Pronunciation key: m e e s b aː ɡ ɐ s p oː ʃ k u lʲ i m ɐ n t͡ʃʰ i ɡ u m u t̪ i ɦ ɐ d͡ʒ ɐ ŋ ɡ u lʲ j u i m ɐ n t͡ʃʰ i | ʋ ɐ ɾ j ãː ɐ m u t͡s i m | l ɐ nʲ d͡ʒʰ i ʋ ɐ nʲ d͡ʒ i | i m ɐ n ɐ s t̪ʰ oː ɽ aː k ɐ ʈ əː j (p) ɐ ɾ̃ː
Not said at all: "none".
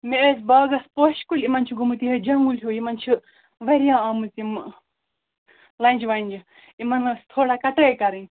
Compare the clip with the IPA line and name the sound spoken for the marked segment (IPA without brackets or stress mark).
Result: k